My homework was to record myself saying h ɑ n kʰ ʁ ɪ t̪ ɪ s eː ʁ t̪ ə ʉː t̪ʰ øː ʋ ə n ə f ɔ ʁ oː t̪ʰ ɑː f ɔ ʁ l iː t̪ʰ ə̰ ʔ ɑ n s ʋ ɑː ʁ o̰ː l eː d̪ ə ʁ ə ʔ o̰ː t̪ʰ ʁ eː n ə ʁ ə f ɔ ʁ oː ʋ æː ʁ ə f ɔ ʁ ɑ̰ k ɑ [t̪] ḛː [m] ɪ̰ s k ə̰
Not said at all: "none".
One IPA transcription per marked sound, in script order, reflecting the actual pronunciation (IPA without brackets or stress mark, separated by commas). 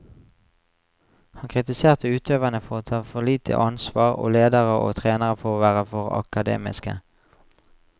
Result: d̪, m